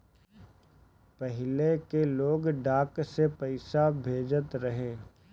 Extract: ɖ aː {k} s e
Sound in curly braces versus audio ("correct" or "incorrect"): correct